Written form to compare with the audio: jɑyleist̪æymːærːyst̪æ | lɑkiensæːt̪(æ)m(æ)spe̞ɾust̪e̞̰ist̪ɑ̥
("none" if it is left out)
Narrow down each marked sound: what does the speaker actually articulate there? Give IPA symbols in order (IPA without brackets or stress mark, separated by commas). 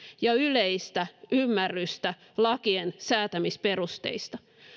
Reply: æ, i